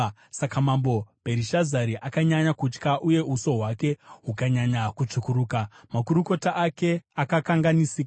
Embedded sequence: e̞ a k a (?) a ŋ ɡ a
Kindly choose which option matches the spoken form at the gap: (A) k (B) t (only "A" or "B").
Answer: A